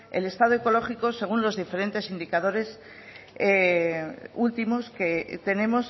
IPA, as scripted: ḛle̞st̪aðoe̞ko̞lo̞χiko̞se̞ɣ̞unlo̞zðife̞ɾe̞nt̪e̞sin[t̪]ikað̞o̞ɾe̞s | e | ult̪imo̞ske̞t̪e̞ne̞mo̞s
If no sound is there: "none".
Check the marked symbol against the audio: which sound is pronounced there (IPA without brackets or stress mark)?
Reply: d̪